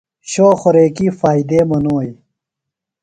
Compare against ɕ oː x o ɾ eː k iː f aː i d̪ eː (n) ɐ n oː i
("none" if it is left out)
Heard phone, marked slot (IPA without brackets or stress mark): m